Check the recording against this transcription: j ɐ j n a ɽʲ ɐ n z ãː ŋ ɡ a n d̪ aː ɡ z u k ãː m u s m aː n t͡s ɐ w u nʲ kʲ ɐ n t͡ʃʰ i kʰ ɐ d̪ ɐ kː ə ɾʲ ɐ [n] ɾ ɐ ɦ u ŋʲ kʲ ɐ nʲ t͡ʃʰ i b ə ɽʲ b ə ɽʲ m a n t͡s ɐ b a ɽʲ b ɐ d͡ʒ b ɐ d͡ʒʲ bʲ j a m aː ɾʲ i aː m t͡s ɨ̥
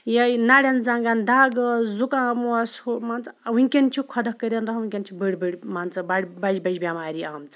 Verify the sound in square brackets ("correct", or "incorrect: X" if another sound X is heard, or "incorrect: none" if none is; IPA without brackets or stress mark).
correct